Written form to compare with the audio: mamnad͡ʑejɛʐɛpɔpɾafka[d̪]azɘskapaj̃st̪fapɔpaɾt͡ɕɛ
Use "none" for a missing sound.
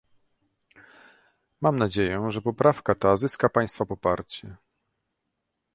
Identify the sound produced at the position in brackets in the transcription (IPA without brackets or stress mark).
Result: t̪